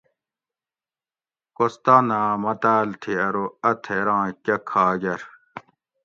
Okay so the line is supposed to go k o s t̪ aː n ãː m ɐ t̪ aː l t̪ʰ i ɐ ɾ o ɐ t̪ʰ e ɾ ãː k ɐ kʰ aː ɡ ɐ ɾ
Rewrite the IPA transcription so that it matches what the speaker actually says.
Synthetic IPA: k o s t̪ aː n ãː m ɐ t̪ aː l t̪ʰ i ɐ ɾ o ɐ t̪ʰ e ɾ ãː k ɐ kʰ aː ɡ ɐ ɾ